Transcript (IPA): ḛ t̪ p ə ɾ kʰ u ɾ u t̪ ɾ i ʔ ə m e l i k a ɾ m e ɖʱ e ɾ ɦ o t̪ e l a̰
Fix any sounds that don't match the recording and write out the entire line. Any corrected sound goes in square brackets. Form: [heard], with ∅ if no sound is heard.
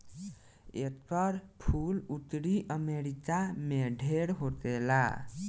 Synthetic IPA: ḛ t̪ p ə ɾ [pʰ] u [l] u t̪ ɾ i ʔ ə m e [ɾ] i k a [∅] m e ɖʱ e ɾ ɦ o t̪ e l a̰